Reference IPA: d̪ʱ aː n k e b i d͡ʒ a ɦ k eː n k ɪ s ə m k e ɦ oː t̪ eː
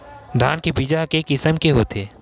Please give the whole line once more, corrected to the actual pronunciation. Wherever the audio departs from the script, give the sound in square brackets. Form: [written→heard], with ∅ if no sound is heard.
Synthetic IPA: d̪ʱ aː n k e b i d͡ʒ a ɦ k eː [n→∅] k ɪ s ə m k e ɦ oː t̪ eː